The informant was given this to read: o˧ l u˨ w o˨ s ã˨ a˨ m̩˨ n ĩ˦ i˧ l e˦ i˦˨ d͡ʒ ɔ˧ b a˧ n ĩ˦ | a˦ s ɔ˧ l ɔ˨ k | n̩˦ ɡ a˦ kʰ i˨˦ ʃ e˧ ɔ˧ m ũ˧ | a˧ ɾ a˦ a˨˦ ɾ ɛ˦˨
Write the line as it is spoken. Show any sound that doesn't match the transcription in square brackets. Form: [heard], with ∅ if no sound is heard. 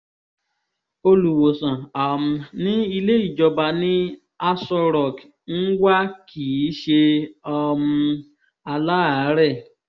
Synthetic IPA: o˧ l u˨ w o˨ s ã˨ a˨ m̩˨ n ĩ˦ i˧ l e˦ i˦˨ d͡ʒ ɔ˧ b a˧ n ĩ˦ | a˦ s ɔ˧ [ɾ] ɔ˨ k | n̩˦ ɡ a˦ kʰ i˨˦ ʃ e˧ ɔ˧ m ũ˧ | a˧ [l] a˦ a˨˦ ɾ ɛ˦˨